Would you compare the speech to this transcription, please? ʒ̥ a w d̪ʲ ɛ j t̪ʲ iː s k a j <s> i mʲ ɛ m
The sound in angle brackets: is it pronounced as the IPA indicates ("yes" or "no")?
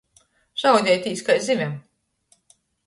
no